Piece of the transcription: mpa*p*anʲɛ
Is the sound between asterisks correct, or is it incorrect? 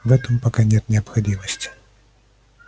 incorrect